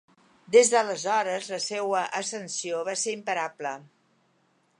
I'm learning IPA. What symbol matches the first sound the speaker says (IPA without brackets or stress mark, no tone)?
d̪